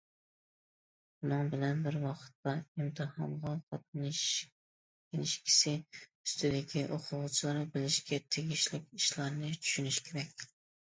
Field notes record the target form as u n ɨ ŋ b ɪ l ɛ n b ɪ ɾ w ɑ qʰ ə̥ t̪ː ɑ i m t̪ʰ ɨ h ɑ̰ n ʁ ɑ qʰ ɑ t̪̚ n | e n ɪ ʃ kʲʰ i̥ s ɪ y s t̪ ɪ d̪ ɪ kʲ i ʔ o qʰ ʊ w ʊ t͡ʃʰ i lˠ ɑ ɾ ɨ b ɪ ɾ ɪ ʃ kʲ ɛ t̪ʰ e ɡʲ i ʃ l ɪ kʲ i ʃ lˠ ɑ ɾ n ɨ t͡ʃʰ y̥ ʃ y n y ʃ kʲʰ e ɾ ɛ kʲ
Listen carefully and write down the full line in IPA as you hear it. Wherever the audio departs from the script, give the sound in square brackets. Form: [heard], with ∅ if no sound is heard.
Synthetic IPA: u n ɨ ŋ b ɪ l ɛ n b ɪ ɾ w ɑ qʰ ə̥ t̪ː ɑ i m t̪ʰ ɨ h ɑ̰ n ʁ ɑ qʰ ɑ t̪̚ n | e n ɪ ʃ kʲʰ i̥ s ɪ y s t̪ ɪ d̪ ɪ kʲ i ʔ o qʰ ʊ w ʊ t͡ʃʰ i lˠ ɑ ɾ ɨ b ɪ [l] ɪ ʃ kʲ ɛ t̪ʰ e ɡʲ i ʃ l ɪ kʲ i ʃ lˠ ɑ ɾ n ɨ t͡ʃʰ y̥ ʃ y n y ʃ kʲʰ e ɾ ɛ kʲ